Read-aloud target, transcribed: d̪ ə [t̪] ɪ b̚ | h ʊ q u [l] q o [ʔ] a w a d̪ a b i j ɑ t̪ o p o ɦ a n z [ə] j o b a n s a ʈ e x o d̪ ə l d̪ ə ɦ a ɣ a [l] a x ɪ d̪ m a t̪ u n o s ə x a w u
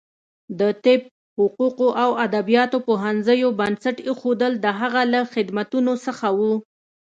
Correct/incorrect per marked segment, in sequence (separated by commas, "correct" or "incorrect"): correct, incorrect, correct, correct, correct